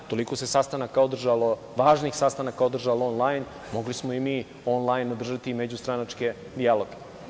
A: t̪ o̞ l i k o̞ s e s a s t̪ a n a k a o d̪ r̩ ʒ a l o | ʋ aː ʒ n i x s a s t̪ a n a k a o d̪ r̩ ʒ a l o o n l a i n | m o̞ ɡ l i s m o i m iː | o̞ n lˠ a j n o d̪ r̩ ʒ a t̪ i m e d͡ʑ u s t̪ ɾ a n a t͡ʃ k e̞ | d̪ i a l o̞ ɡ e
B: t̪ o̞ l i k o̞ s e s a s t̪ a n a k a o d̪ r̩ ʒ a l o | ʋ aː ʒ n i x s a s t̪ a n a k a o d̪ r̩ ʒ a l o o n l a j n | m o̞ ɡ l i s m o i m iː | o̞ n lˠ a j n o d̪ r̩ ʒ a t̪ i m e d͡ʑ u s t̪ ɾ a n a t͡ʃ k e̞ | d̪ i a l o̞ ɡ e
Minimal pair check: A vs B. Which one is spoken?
B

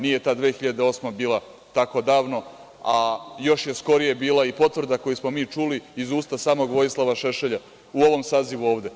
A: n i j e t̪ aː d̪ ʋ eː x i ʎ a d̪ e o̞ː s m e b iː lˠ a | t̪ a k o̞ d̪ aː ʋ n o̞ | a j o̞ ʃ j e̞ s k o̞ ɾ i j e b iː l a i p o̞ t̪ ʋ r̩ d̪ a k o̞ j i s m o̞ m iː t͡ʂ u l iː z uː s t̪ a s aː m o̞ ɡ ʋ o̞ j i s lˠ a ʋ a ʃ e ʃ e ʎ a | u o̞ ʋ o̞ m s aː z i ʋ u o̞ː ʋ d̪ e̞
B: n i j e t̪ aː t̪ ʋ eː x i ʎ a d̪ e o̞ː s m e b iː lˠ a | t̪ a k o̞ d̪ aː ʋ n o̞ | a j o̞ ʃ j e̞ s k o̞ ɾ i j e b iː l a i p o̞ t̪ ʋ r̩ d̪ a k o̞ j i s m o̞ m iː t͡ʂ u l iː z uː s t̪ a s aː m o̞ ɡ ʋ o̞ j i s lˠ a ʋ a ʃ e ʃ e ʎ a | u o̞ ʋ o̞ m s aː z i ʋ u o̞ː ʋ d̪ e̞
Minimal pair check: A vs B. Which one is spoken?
A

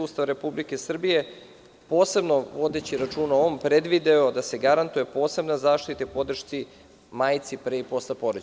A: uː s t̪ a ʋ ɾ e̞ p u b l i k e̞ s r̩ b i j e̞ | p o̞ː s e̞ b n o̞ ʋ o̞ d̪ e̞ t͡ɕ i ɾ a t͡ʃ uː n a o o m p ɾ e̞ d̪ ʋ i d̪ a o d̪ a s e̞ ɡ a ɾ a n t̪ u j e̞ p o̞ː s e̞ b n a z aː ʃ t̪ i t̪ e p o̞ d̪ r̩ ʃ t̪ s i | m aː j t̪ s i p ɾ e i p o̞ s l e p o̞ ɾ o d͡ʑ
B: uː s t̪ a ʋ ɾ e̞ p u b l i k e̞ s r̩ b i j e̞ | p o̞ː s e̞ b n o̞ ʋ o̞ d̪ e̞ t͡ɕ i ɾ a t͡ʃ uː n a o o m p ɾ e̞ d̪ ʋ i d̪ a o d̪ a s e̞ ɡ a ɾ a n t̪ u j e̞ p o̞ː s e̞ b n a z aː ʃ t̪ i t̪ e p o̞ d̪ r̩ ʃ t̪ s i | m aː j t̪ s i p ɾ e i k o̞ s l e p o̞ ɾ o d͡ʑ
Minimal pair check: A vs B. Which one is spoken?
A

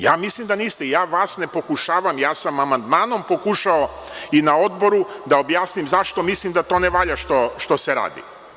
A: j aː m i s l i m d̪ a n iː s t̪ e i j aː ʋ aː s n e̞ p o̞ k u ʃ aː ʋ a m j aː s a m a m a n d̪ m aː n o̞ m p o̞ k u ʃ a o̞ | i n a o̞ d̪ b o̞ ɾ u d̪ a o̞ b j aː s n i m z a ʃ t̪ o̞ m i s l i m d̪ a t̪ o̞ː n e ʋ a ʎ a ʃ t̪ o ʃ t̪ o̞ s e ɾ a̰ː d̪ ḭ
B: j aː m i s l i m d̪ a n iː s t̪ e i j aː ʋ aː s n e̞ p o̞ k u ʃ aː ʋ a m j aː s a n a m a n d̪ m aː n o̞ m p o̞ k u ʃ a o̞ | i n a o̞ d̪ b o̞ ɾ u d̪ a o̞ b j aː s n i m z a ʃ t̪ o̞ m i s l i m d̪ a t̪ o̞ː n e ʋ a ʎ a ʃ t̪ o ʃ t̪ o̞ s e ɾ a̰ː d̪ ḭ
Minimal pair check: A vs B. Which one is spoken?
A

